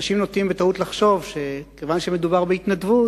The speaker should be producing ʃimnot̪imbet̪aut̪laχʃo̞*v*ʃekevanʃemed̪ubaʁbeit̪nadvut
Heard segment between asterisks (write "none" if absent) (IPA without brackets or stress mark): v